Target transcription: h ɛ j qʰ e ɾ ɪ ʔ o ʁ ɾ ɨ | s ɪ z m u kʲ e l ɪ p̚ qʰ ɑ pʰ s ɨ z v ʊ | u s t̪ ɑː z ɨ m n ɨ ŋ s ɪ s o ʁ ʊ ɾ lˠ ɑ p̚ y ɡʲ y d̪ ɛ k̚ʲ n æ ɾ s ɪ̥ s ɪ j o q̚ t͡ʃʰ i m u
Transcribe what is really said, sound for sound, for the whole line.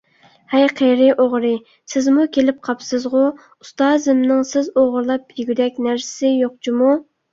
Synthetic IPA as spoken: h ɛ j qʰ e ɾ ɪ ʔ o ʁ ɾ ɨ | s ɪ z m u kʲ e l ɪ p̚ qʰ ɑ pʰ s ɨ z ʁ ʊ | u s t̪ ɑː z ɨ m n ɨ ŋ s ɪ z o ʁ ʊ ɾ lˠ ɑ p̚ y ɡʲ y d̪ ɛ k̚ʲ n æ ɾ s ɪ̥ s ɪ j o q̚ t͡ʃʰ i m u

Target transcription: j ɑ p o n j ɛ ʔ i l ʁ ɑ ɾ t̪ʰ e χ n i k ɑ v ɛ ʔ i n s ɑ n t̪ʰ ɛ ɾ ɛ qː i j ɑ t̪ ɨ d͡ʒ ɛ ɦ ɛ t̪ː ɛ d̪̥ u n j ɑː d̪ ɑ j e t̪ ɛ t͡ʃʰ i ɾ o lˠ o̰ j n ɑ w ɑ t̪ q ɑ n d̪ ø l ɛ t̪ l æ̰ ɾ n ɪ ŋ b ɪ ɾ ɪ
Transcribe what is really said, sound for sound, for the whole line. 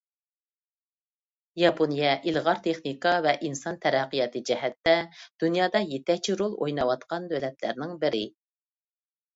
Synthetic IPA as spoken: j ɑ p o n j ɛ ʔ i l ʁ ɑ ɾ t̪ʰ e χ n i k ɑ v ɛ ʔ i n s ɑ n t̪ʰ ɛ ɾ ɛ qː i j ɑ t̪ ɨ d͡ʒ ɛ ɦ ɛ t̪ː ɛ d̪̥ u n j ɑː d̪ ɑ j e t̪ ɛ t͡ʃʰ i ɾ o lˠ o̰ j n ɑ w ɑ t̪ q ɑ n d̪ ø l ɛ t̪ l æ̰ ɾ n ɪ ŋ b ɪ ɾ ɪ

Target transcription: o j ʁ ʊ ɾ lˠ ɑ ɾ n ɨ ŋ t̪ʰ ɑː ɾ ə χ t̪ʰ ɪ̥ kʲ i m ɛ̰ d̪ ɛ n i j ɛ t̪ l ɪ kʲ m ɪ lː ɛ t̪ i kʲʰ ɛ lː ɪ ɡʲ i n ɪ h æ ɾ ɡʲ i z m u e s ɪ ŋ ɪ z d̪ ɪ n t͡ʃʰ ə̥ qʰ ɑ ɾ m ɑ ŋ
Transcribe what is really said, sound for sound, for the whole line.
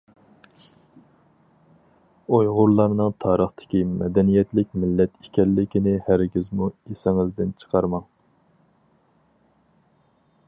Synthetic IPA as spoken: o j ʁ ʊ ɾ lˠ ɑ ɾ n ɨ ŋ t̪ʰ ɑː ɾ ə χ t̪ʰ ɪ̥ kʲ i m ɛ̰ d̪ ɛ n i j ɛ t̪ l ɪ kʲ m ɪ lː ɛ t̪ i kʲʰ ɛ lː ɪ kʲ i n ɪ h æ ɾ ɡʲ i z m u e s ɪ ŋ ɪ z d̪ ɪ n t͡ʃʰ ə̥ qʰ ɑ ɾ m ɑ ŋ

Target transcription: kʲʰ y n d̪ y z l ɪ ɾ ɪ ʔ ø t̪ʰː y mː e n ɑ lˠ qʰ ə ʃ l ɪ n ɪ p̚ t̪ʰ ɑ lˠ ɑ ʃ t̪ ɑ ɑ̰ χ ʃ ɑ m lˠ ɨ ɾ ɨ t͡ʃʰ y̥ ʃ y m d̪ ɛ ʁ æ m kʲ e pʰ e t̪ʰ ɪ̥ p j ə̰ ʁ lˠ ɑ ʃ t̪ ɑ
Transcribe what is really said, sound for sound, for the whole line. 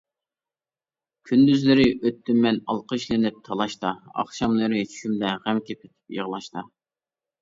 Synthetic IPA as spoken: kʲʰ y n d̪ y z l ɪ ɾ ɪ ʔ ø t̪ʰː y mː ɛ n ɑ lˠ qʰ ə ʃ l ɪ n ɪ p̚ t̪ʰ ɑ lˠ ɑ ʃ t̪ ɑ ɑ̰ χ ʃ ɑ m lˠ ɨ ɾ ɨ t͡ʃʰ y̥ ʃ y m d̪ ɛ ʁ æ m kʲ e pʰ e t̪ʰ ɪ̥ p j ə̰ ʁ lˠ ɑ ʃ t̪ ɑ

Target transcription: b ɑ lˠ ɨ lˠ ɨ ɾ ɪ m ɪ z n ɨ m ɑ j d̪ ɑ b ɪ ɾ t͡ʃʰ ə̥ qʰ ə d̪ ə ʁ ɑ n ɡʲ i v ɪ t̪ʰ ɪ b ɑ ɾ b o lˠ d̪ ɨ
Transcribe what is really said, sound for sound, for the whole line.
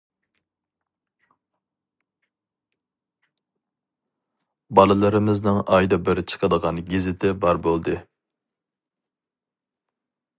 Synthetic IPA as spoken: b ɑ lˠ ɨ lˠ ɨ ɾ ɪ m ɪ z n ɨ ŋ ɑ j d̪ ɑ b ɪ ɾ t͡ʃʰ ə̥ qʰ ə d̪ ə ʁ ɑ n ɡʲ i z ɪ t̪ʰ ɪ b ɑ ɾ b o lˠ d̪ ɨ

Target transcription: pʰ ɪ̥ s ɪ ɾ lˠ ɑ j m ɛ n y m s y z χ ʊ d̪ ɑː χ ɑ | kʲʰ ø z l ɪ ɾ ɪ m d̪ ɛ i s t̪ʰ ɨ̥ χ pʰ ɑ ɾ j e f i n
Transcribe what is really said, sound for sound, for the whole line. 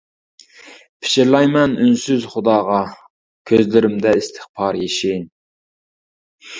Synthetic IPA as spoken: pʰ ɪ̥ ʃ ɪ ɾ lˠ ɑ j m ɛ n y n s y z χ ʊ d̪ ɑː ʁ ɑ | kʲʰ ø z l ɪ ɾ ɪ m d̪ ɛ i s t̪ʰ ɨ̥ χ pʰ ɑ ɾ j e ʃ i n

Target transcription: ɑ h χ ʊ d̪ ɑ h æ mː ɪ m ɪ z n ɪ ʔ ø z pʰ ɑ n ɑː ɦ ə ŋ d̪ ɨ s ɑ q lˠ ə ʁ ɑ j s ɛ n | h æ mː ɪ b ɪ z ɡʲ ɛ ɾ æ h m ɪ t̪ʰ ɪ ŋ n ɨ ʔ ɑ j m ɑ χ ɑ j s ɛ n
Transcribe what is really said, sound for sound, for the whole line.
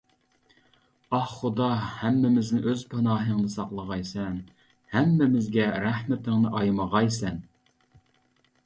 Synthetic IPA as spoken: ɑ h χ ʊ d̪ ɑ h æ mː ɪ m ɪ z n ɪ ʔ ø z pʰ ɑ n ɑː ɦ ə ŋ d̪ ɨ s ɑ q lˠ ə ʁ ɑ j s ɛ n | h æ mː ɪ m ɪ z ɡʲ ɛ ɾ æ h m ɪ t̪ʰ ɪ ŋ n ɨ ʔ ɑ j m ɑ ʁ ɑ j s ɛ n

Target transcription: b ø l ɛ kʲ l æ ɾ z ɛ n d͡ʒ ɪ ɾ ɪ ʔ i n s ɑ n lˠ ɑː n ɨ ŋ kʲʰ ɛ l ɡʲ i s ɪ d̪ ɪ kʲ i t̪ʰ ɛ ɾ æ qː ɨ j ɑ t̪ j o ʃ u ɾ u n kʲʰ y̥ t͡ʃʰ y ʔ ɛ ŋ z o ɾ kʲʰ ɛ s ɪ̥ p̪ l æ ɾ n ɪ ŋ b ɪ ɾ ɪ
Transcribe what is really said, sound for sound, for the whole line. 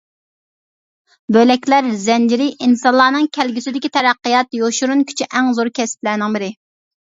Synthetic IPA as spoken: b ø l ɛ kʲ l æ ɾ z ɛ n d͡ʒ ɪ ɾ ɪ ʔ i n s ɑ n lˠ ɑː n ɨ ŋ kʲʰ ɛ l ɡʲ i s ɪ d̪ ɪ kʲ i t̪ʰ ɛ ɾ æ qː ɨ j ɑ t̪ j o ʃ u ɾ u n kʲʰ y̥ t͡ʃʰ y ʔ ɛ ŋ z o ɾ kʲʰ ɛ s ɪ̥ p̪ l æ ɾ n ɪ ŋ b ɪ ɾ ɪ

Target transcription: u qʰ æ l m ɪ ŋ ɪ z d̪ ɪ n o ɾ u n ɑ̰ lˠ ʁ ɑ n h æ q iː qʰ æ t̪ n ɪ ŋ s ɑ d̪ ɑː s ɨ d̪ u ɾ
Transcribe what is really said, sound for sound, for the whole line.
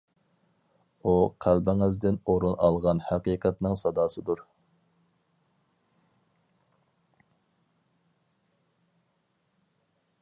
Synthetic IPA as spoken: u qʰ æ l b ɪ ŋ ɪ z d̪ ɪ n o ɾ u n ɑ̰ lˠ ʁ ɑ n h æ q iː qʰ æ t̪ n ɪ ŋ s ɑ d̪ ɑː s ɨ d̪ u ɾ

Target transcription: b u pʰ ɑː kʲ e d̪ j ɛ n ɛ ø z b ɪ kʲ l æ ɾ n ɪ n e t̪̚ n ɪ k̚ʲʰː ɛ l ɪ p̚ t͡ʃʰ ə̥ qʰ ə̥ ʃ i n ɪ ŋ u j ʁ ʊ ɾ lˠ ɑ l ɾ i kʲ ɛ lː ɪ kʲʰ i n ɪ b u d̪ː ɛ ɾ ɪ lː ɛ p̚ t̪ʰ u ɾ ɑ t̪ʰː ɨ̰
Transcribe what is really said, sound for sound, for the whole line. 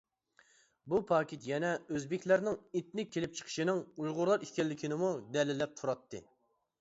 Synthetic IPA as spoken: b u pʰ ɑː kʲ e t̪ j ɛ n ɛ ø z b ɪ kʲ l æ ɾ n ɪ ŋ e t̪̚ n ɪ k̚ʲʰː e l ɪ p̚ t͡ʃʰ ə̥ qʰ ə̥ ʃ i n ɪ ŋ u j ʁ ʊ ɾ lˠ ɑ ɾ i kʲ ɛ lː ɪ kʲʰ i n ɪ m u d̪ ɛ l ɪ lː ɛ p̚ t̪ʰ u ɾ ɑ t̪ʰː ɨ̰

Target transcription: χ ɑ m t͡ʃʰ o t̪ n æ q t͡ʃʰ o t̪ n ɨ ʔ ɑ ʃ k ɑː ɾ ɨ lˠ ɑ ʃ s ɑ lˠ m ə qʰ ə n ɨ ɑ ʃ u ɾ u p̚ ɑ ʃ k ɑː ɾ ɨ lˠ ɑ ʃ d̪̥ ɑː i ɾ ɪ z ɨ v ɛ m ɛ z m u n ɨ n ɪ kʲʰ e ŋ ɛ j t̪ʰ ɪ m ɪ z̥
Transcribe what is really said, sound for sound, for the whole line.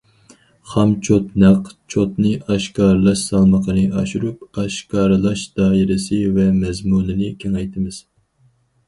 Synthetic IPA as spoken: χ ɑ m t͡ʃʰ o t̪ n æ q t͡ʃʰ o t̪ n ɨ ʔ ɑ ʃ k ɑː ɾ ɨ lˠ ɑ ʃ s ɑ lˠ m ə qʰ ə n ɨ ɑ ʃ u ɾ u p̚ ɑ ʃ k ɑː ɾ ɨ lˠ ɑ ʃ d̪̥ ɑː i ɾ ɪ s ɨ v ɛ m ɛ z m u n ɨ n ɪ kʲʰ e ŋ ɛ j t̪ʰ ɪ m ɪ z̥

